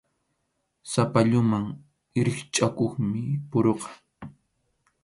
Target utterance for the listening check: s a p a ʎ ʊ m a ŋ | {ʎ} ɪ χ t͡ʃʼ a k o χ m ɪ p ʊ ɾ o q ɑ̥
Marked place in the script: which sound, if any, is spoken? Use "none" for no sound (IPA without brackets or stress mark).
ɾ